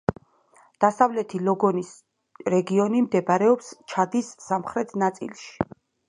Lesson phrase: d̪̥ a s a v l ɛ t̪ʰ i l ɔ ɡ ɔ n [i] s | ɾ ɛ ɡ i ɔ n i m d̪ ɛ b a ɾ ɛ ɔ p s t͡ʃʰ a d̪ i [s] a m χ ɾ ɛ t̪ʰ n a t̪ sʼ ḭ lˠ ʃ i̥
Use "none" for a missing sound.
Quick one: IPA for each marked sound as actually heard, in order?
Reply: i, sː

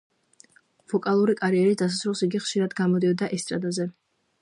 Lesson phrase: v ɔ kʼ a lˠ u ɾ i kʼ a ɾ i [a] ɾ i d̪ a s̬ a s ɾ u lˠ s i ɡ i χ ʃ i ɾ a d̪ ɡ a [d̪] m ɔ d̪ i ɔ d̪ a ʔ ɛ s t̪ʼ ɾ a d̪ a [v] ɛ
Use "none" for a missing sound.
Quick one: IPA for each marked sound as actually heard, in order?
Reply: ɛ, none, z

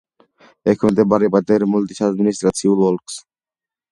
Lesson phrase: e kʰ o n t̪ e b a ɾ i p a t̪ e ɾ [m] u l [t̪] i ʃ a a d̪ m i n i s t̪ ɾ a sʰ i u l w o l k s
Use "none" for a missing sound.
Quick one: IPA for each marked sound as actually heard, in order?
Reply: m, t̪

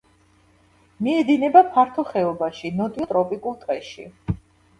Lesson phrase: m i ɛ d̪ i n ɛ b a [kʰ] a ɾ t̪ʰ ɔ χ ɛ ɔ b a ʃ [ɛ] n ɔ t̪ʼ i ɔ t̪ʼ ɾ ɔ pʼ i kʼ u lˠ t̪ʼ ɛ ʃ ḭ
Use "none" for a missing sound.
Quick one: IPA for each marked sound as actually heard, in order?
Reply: pʰ, i

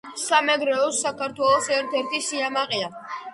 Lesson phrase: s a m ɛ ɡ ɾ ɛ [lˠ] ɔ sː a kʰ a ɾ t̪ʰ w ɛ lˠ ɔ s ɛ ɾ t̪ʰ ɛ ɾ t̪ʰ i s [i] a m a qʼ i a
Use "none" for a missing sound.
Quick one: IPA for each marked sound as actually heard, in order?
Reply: none, i

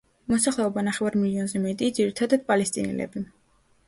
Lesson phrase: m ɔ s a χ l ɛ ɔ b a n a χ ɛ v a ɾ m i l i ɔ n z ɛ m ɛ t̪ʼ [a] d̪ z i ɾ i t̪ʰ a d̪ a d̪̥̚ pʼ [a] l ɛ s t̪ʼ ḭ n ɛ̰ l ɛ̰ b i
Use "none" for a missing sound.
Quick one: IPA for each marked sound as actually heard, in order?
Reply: i, a

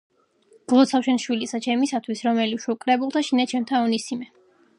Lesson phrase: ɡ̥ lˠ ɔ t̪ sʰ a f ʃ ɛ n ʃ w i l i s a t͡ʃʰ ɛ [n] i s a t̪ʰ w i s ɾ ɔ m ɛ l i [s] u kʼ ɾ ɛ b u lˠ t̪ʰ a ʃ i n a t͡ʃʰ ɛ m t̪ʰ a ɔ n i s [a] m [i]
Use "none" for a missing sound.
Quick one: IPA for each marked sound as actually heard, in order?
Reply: m, ʃ, i, ɛ

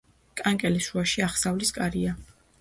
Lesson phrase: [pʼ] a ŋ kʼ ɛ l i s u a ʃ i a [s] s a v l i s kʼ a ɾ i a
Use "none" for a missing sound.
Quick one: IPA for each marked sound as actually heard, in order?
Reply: kʼ, χ

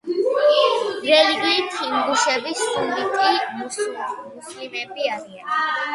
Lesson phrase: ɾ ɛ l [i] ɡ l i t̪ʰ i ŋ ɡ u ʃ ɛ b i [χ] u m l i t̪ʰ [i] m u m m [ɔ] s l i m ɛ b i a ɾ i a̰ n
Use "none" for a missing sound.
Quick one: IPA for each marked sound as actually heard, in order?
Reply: i, s, i, u

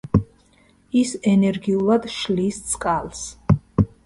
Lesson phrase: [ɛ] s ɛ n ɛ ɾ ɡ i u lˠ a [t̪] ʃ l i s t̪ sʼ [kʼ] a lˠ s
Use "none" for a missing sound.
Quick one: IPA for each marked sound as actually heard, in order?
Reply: i, d̪, kʼ

